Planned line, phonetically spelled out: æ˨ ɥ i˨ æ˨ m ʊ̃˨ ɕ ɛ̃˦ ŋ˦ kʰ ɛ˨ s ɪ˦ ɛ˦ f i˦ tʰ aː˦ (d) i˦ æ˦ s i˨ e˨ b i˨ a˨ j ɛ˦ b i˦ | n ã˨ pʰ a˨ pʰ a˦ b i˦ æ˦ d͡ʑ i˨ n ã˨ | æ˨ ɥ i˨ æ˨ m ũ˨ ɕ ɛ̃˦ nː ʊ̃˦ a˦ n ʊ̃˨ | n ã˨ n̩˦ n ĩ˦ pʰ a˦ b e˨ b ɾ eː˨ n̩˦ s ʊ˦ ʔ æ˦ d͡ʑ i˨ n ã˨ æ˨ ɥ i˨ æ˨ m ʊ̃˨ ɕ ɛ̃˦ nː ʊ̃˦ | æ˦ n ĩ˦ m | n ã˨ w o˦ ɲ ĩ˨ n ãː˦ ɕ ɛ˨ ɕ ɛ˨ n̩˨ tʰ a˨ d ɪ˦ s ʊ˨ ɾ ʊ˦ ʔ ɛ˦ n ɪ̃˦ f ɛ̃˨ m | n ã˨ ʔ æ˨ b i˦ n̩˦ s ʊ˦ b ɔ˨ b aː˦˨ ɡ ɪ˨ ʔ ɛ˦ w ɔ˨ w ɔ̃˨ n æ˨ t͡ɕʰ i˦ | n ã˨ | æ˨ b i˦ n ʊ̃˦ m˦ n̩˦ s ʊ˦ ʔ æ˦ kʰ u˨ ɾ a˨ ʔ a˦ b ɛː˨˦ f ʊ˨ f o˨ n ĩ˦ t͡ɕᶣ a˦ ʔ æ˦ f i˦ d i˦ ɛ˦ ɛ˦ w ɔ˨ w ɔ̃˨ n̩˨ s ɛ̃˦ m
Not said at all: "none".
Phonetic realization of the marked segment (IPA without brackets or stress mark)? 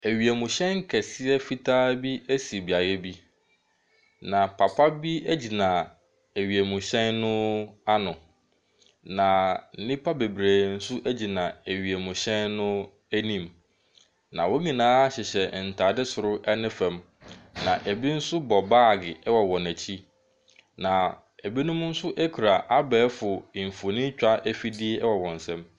b